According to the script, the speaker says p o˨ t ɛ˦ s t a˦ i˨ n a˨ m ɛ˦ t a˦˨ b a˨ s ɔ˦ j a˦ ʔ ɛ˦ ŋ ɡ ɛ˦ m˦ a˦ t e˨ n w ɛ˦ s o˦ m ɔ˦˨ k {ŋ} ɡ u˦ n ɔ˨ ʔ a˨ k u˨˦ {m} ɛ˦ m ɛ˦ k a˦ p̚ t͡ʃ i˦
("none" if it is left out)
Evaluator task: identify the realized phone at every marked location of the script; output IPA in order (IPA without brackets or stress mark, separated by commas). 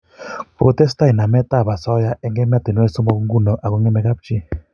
ŋ, ŋ